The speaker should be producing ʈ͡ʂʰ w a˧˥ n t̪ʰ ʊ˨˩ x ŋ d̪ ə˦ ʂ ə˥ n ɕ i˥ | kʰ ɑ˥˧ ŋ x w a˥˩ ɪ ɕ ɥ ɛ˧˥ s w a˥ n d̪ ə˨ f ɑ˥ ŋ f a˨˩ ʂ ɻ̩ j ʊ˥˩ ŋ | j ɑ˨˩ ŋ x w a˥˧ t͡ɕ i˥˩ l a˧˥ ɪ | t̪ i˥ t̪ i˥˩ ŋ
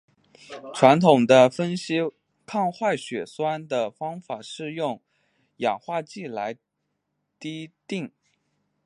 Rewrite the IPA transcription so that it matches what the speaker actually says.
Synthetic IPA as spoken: ʈ͡ʂʰ w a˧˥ n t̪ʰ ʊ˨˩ ŋ d̪ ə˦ f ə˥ n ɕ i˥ | kʰ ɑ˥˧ ŋ x w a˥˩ ɪ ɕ ɥ ɛ˨˩ s w a˥ n d̪ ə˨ f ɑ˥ ŋ f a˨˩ ʂ ɻ̩ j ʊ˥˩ ŋ | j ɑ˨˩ ŋ x w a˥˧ t͡ɕ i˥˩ l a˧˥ ɪ | t̪ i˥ t̪ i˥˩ ŋ

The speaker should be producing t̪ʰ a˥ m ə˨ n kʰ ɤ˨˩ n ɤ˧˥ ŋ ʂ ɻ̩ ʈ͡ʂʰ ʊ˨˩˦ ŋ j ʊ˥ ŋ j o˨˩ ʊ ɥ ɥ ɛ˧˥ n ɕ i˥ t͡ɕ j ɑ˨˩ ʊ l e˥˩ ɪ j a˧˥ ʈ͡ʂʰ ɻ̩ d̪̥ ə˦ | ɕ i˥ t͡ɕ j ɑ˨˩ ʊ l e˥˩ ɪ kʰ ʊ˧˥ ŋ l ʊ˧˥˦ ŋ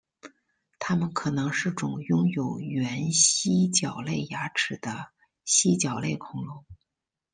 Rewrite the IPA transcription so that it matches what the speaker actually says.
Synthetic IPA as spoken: t̪ʰ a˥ m ə˨ n kʰ ɤ˨˩ n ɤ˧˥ ŋ ʂ ɻ̩ ʈ͡ʂ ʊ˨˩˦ ŋ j ʊ˥ ŋ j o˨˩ ʊ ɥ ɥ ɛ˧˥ n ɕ i˥ t͡ɕ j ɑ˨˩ ʊ l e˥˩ ɪ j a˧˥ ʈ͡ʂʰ ɻ̩ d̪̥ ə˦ | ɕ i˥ t͡ɕ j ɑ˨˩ ʊ l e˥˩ ɪ kʰ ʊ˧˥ ŋ l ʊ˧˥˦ ŋ

